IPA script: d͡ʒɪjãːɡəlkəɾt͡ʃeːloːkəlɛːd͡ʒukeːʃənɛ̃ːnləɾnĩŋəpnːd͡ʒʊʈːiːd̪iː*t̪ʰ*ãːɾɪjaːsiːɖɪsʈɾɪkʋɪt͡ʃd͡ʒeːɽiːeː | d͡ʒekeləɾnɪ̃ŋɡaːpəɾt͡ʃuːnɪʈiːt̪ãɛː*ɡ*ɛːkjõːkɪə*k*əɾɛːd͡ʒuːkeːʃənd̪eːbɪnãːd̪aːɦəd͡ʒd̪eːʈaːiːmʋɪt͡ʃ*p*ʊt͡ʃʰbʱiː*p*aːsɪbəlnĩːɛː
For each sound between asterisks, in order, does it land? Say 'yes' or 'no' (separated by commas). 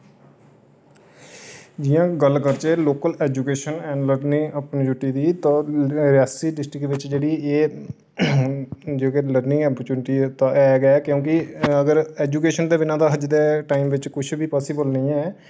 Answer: no, yes, no, no, yes